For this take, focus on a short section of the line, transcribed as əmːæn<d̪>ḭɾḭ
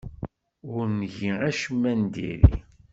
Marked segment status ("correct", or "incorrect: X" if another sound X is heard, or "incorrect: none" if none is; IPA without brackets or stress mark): correct